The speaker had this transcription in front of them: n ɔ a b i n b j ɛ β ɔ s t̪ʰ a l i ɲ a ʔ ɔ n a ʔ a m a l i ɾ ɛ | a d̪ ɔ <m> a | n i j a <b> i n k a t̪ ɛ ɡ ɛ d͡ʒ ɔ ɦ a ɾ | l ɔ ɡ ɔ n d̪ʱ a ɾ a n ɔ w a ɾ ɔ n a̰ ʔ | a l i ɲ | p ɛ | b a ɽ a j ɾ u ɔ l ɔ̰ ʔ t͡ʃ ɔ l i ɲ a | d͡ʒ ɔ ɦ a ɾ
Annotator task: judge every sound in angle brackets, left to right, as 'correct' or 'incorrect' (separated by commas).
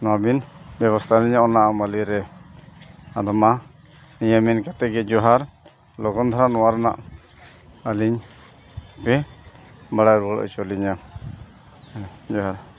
correct, incorrect